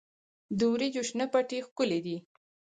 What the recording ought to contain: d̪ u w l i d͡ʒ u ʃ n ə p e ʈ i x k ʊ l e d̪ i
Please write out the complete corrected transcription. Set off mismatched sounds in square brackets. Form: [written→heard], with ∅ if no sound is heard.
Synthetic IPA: d̪ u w [l→ɾ] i d͡ʒ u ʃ n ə p [e→a] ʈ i x k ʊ l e d̪ i

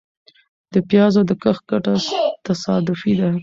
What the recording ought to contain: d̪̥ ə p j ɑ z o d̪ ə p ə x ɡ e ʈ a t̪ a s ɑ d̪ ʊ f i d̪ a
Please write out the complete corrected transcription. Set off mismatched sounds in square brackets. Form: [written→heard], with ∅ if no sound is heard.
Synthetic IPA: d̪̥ ə p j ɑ z o d̪ ə [p→k] ə x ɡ [e→a] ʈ a t̪ a s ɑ d̪ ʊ f i d̪ a

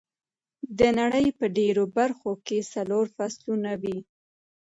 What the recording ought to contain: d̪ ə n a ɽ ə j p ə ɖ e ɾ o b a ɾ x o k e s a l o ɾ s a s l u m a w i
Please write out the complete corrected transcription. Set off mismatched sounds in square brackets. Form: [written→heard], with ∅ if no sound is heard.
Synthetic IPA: d̪ ə n a ɽ ə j p ə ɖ e ɾ o b a ɾ x o k e s a l o ɾ [s→f] a s l u [m→n] a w i

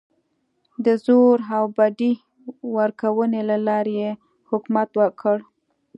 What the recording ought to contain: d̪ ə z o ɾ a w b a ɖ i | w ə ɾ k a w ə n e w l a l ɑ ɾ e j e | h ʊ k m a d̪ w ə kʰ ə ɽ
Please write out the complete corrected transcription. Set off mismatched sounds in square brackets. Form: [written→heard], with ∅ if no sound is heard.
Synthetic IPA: d̪ ə z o ɾ a w b a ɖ i | w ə ɾ k a w ə n e [w→∅] l a l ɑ ɾ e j e | h ʊ k m a [d̪→t̪] w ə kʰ ə ɽ

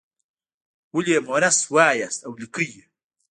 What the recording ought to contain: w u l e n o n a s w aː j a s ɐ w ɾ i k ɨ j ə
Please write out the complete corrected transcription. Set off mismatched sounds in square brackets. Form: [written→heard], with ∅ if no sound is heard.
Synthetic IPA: w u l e [n→m] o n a s w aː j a s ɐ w [ɾ→l] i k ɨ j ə

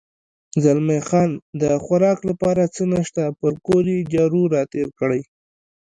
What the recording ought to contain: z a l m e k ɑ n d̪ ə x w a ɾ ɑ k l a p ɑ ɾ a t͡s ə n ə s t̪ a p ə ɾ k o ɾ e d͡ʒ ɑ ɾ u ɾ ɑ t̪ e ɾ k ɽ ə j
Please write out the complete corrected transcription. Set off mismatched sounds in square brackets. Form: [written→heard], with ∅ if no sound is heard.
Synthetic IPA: z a l m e [k→x] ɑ n d̪ ə x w a ɾ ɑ k l a p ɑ ɾ a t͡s ə n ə [s→ʃ] t̪ a p ə ɾ k o ɾ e d͡ʒ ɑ ɾ u ɾ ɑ t̪ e ɾ k ɽ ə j

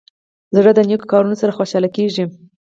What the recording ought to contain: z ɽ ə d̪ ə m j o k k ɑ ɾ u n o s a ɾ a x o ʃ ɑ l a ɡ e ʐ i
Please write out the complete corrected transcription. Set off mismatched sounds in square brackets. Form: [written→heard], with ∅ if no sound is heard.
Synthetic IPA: z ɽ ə d̪ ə [m→n] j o k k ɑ ɾ u n o s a ɾ a x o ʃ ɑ l a [ɡ→k] e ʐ i

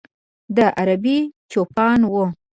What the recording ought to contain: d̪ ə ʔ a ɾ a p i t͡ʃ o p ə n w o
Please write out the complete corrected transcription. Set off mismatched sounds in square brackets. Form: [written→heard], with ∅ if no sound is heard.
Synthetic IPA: d̪ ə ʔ a ɾ a [p→b] i t͡ʃ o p [ə→ɑ] n w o

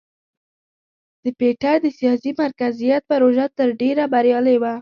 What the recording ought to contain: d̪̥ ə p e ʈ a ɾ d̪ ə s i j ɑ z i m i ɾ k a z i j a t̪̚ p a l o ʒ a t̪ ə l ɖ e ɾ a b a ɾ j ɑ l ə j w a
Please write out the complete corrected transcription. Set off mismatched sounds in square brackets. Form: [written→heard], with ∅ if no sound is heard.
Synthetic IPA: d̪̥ ə p e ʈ a ɾ d̪ ə s i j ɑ [z→s] i m [i→a] ɾ k a z i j a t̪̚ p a [l→ɾ] o ʒ a t̪ ə [l→ɾ] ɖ e ɾ a b a ɾ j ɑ l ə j w a

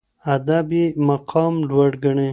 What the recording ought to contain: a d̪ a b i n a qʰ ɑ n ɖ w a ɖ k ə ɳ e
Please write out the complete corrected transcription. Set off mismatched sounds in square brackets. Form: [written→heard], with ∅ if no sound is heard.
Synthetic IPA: a d̪ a b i [n→m] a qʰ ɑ [n→m] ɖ w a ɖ [k→ɡ] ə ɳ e

